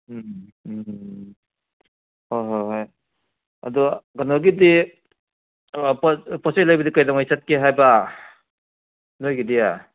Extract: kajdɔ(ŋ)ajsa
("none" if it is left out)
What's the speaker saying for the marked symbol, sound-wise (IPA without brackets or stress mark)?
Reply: ŋ